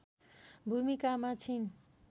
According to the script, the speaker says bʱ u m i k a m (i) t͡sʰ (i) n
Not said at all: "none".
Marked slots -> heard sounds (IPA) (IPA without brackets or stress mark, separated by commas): a, i